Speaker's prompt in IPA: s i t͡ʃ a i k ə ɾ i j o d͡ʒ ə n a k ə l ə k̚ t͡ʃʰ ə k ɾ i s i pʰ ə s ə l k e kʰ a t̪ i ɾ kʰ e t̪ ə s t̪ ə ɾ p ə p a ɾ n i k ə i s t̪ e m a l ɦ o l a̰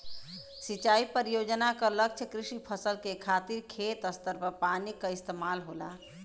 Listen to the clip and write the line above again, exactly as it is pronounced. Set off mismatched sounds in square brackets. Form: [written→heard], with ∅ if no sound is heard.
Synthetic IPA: s i t͡ʃ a i [k→p] ə ɾ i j o d͡ʒ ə n a k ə l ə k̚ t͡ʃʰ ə k ɾ i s i pʰ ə s ə l k e kʰ a t̪ i ɾ kʰ e t̪ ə s t̪ ə ɾ p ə p a [ɾ→∅] n i k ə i s t̪ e m a l ɦ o l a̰